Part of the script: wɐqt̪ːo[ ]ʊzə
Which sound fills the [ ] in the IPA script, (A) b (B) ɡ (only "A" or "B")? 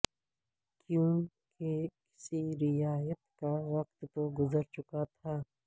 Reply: B